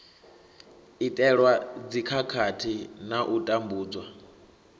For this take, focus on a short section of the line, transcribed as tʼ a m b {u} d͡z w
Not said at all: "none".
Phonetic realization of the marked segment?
uː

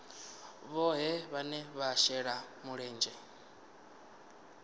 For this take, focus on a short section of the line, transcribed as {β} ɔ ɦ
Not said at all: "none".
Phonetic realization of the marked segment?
β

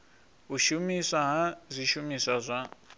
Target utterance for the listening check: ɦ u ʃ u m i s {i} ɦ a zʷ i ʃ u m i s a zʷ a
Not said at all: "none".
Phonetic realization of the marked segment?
a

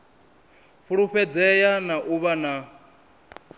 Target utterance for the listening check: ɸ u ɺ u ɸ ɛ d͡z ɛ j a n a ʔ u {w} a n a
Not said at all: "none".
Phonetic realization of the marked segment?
β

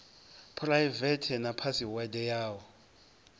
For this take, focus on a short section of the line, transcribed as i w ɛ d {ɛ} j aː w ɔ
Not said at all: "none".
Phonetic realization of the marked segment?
ɛ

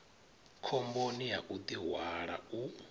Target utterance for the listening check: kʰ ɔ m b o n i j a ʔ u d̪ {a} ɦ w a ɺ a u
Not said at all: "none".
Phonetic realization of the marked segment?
i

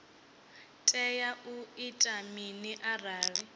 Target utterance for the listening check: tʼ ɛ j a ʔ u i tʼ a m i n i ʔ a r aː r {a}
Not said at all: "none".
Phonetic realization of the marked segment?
i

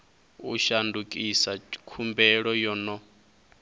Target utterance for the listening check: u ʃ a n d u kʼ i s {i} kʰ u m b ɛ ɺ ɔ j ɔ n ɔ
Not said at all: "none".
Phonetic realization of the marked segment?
a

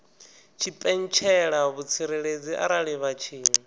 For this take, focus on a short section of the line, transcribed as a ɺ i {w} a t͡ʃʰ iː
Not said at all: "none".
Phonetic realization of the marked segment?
β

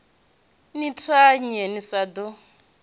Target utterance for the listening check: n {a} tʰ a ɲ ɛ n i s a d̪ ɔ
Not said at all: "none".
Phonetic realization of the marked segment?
i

